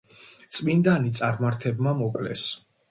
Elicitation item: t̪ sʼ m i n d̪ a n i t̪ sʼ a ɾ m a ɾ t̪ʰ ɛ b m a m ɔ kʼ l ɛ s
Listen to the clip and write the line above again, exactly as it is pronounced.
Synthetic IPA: t̪ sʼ m i n d̪ a n i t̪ sʼ a ɾ m a ɾ t̪ʰ ɛ b m a m ɔ kʼ l ɛ s